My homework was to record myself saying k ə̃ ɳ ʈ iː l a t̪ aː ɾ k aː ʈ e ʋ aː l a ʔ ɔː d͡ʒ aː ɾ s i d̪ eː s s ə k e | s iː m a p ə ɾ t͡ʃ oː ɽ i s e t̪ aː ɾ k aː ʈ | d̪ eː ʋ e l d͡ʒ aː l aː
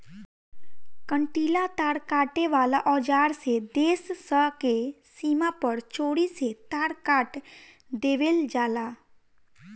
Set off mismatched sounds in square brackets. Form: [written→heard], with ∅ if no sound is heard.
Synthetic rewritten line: k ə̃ ɳ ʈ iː l a t̪ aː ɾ k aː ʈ e ʋ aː l a ʔ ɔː d͡ʒ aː ɾ s [i→e] d̪ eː s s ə k e | s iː m a p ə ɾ t͡ʃ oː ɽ i s e t̪ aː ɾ k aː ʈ | d̪ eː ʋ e l d͡ʒ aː l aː